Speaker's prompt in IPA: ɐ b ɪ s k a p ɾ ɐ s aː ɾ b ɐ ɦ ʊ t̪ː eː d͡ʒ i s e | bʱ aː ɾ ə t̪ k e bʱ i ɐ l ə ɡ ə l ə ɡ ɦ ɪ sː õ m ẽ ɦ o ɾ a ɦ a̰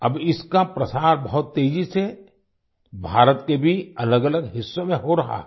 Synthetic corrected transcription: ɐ b ɪ s k a p ɾ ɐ s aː ɾ b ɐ ɦ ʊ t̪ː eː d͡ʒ i s e | bʱ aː ɾ ə t̪ k e bʱ i ɐ l ə ɡ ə l ə ɡ ɦ ɪ sː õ m ẽ ɦ o ɾ ɐ ɦ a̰